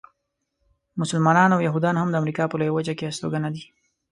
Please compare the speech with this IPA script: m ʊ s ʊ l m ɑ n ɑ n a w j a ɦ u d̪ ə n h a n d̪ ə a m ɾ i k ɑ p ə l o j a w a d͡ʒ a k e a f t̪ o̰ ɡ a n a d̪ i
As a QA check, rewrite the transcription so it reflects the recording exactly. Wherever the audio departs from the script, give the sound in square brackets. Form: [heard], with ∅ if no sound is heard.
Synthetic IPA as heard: m ʊ s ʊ l m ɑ n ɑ n a w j a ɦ u d̪ [ɑ] n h a [m] d̪ ə a m ɾ i k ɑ p ə l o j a w a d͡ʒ a k e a [s] t̪ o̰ ɡ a n a d̪ i